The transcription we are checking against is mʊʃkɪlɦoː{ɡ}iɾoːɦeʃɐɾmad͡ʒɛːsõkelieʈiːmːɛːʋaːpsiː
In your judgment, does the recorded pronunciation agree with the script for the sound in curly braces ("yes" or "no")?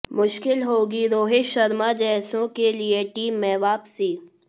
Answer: yes